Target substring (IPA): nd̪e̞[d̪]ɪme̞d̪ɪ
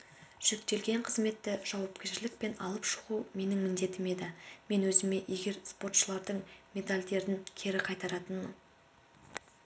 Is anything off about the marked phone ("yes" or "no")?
yes